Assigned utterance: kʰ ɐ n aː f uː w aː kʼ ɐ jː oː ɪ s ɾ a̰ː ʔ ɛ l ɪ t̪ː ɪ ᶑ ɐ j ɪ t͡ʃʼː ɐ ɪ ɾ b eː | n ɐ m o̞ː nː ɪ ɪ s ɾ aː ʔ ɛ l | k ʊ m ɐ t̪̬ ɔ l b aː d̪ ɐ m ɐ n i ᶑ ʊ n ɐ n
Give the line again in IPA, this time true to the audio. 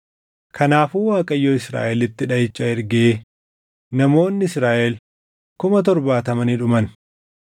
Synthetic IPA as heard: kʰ ɐ n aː f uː w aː kʼ ɐ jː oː ɪ s ɾ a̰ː ʔ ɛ l ɪ t̪ː ɪ ᶑ ɐ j ɪ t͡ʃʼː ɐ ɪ ɾ ɡ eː | n ɐ m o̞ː nː ɪ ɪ s ɾ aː ʔ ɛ l | k ʊ m ɐ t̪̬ ɔ ɾ b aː t̪ ɐ m ɐ n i ᶑ ʊ m ɐ n